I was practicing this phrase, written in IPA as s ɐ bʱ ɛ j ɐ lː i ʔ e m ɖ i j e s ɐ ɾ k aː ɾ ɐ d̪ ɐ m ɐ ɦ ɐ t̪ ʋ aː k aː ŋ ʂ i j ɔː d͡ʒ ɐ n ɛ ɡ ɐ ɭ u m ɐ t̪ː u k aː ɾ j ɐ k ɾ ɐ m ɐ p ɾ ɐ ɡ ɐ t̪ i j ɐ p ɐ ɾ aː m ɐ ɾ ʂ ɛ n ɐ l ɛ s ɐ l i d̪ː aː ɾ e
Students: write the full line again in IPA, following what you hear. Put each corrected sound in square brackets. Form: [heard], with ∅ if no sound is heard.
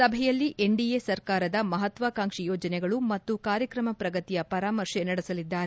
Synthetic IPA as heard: s ɐ bʱ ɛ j ɐ lː i ʔ e [ɳ] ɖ i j e s ɐ ɾ k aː ɾ ɐ d̪ ɐ m ɐ ɦ ɐ t̪ ʋ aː k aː ŋ ʂ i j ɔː d͡ʒ ɐ n ɛ ɡ ɐ ɭ u m ɐ t̪ː u k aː ɾ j ɐ k ɾ ɐ m ɐ p ɾ ɐ ɡ ɐ t̪ i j ɐ p ɐ ɾ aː m ɐ ɾ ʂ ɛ n ɐ [ɽ] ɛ s ɐ l i d̪ː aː ɾ e